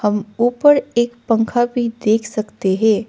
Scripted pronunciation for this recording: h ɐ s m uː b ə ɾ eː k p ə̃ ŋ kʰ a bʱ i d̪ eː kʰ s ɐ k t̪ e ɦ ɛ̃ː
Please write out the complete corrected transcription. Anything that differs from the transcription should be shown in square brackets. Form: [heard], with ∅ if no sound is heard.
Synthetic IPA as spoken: h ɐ [∅] m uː [p] ə ɾ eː k p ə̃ ŋ kʰ a bʱ i d̪ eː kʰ s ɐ k t̪ e ɦ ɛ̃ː